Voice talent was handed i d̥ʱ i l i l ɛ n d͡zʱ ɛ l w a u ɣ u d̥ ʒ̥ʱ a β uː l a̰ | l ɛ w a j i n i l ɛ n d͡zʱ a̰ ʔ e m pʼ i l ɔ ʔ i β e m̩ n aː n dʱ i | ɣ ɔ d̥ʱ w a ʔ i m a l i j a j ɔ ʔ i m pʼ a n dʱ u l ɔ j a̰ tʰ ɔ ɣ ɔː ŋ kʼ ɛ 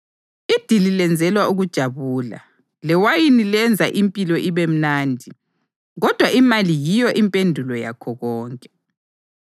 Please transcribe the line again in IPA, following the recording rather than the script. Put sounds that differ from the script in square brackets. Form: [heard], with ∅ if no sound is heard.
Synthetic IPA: i d̥ʱ i l i l ɛ n d͡zʱ ɛ l w a u ɣ u d̥ ʒ̥ʱ a β uː l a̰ | l ɛ w a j i n i l ɛ n d͡zʱ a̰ ʔ [i] m pʼ i l ɔ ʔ i β e m̩ n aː n dʱ i | ɣ ɔ d̥ʱ w a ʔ i m a l i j [i] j ɔ ʔ i m pʼ [e] n dʱ u l ɔ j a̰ [kʰ] ɔ ɣ ɔː ŋ kʼ ɛ